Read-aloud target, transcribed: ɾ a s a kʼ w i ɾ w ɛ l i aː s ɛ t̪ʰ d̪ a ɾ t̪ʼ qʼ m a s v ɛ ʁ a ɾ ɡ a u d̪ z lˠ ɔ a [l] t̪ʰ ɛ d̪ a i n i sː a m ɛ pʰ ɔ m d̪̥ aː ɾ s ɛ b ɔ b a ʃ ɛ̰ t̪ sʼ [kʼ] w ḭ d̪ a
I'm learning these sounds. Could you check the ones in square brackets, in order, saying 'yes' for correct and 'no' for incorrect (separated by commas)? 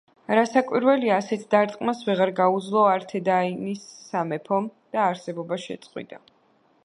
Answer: no, no